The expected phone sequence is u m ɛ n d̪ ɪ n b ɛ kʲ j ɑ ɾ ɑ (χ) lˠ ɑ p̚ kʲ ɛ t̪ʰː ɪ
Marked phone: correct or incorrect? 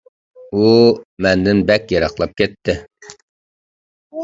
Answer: correct